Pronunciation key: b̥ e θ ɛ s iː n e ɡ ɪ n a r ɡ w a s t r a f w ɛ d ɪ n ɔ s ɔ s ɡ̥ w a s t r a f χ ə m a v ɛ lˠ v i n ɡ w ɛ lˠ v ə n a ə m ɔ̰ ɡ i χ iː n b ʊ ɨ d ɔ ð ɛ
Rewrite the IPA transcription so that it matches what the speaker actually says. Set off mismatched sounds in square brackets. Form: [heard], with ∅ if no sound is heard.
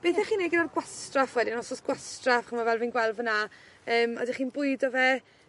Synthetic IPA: b̥ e θ ɛ [χ] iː n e ɡ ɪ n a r ɡ w a s t r a f w ɛ d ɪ n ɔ s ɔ s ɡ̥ w a s t r a f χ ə m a v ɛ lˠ v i n ɡ w ɛ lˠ v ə n a [əː] m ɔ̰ [d] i χ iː n b ʊ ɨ d ɔ [v] ɛ